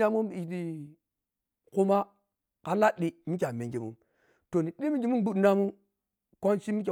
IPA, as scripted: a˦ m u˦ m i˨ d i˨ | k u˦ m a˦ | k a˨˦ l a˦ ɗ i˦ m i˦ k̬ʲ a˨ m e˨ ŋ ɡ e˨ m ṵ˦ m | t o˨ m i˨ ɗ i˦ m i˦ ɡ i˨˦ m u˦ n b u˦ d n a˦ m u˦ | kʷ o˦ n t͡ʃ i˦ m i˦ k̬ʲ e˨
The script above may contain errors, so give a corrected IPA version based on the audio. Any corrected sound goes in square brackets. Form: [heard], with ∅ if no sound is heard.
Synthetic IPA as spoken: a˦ m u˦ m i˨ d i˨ | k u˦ m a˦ | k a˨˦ l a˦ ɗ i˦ m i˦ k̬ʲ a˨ m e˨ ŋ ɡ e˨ m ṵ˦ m | t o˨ [n] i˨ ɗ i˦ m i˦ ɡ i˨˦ m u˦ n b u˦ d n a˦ m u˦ | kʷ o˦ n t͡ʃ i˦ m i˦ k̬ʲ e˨